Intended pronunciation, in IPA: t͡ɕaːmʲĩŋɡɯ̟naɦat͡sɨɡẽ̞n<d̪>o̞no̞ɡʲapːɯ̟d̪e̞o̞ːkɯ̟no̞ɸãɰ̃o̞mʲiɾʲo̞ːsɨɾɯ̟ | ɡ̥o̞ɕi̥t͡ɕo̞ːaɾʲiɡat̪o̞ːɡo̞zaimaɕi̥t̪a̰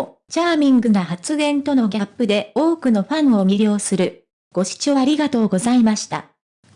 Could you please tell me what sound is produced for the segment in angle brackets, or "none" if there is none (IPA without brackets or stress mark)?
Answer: t̪